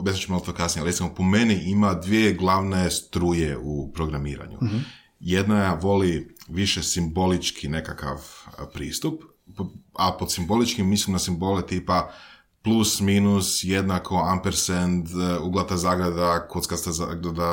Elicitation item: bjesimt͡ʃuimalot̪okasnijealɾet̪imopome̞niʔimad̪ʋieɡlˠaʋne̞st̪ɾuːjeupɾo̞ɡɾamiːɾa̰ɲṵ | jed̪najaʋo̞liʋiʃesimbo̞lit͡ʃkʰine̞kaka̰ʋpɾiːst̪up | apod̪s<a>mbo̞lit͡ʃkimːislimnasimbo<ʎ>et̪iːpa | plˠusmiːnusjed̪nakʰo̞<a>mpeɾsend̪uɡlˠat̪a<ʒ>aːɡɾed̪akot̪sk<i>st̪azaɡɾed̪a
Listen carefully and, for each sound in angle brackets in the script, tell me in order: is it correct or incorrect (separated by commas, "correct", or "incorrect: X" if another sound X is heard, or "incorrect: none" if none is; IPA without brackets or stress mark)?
incorrect: i, incorrect: l, correct, incorrect: z, incorrect: a